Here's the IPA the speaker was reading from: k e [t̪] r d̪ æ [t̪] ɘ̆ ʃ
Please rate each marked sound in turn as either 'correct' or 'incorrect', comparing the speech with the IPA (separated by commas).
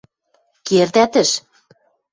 incorrect, correct